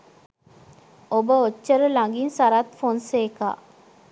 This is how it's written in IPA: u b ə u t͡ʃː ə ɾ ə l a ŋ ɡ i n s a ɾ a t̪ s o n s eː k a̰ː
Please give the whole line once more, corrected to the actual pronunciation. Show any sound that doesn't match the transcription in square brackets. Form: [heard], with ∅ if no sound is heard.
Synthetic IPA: [o] b ə [o] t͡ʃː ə ɾ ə l a ŋ ɡ i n s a ɾ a t̪ [f] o n s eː k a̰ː

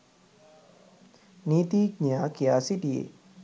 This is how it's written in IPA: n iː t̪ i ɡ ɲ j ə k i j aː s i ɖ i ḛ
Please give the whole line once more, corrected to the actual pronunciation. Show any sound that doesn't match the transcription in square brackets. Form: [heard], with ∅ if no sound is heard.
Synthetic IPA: n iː t̪ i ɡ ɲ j [a] k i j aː s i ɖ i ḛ

